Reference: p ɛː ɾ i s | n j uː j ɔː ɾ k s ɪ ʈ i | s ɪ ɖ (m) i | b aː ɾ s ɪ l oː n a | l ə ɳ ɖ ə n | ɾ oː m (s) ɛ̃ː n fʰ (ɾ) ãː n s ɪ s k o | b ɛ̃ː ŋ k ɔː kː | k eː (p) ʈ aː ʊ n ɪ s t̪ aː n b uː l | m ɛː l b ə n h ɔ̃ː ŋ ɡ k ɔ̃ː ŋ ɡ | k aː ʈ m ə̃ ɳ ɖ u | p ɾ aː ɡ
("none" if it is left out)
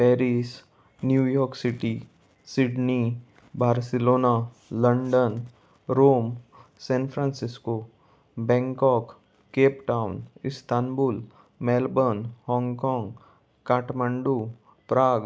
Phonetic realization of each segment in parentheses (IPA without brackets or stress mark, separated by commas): n, s, ɾ, p